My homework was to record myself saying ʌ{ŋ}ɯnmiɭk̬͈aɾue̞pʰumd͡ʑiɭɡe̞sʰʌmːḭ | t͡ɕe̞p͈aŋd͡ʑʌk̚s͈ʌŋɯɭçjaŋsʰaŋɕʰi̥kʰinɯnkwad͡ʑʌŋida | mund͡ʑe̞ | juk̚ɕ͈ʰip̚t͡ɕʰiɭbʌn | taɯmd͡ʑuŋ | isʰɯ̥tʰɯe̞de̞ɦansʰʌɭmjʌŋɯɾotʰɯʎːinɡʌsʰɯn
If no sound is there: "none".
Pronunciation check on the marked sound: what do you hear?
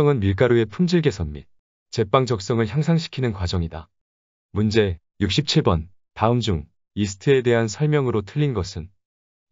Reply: ŋ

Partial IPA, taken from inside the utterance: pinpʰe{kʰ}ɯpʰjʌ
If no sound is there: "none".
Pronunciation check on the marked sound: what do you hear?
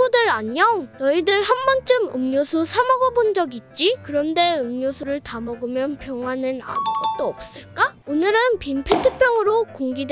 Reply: tʰ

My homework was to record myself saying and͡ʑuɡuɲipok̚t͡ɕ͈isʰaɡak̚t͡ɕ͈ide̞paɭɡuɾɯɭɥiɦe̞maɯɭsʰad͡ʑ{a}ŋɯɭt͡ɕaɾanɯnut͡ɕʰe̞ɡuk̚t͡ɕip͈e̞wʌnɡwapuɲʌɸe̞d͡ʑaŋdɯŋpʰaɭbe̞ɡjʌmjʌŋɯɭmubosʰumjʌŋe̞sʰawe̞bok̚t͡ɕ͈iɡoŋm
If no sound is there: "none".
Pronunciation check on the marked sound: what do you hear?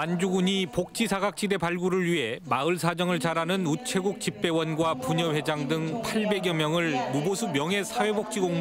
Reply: ʌ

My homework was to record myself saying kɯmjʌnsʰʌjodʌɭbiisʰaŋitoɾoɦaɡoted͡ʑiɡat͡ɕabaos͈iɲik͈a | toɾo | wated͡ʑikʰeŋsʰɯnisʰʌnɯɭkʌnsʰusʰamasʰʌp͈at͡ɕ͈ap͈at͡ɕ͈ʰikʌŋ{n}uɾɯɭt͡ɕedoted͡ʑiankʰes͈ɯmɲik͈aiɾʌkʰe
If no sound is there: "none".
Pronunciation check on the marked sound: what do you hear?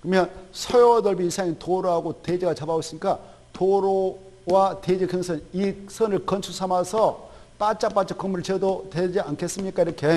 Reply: m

